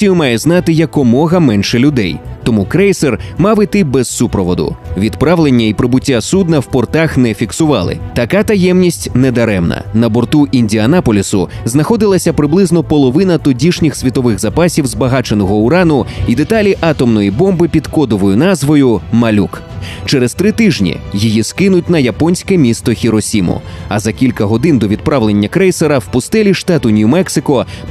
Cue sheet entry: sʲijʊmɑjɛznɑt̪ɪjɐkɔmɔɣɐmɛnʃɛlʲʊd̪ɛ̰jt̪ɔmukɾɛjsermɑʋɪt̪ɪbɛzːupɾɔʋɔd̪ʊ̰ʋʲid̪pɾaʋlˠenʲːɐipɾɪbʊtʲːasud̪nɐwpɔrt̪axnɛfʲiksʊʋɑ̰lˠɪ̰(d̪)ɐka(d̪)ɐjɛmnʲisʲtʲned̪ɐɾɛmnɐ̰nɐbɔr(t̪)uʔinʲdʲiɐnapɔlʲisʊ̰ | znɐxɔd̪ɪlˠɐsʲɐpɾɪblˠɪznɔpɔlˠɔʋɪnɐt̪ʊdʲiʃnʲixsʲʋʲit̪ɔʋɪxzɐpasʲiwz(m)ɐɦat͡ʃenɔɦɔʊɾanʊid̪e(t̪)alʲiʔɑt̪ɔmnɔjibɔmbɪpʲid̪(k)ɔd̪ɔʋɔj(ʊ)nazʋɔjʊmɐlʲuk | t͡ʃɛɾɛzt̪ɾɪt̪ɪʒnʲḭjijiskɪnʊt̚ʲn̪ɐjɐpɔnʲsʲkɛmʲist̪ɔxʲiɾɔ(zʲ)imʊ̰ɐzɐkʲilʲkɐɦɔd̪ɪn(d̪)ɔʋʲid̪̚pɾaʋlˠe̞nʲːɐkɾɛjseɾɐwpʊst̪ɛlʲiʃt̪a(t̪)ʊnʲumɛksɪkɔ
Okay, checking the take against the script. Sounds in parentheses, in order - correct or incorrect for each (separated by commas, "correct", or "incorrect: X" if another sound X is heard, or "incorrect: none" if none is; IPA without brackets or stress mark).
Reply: incorrect: t̪, incorrect: t̪, correct, incorrect: b, correct, correct, correct, incorrect: sʲ, correct, correct